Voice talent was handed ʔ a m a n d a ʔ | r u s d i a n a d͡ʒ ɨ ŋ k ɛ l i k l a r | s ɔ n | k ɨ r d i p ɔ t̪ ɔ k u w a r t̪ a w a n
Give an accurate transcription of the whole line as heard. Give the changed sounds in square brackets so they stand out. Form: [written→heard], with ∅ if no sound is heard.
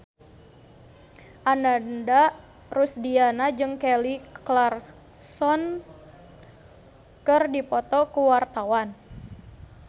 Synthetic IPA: ʔ a [m→n] a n d a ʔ | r u s d i a n a d͡ʒ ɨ ŋ k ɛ l i k l a r | s ɔ n | k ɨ r d i p ɔ t̪ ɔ k u w a r t̪ a w a n